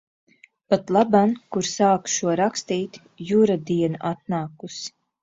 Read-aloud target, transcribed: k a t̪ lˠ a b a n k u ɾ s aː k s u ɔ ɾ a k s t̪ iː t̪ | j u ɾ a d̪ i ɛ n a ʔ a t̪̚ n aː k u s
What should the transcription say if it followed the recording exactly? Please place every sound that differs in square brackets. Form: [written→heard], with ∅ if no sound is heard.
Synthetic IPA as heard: [k→p] a t̪ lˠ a b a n k u ɾ s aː k [s→ʃ] u ɔ ɾ a k s t̪ iː t̪ | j u ɾ a d̪ i ɛ n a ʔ a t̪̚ n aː k u s